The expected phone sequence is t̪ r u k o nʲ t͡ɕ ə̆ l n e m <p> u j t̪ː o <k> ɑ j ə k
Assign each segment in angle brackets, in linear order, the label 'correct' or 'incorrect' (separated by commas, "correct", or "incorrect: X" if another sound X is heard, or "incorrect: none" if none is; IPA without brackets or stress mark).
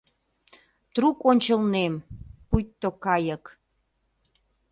correct, correct